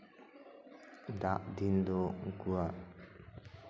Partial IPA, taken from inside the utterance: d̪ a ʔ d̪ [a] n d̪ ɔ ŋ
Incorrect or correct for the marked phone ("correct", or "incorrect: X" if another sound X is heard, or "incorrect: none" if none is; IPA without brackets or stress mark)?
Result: incorrect: i